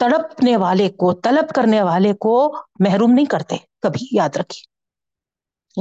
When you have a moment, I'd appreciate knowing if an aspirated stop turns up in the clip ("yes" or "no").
yes